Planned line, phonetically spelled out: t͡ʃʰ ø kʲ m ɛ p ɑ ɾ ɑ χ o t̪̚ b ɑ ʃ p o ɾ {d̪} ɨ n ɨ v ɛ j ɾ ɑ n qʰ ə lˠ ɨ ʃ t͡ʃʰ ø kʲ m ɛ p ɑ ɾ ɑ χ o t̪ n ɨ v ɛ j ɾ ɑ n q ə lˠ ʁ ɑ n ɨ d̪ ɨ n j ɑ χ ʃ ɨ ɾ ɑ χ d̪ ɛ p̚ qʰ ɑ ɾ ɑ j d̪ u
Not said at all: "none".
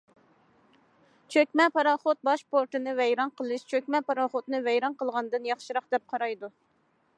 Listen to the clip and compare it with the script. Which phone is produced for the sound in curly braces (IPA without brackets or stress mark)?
t̪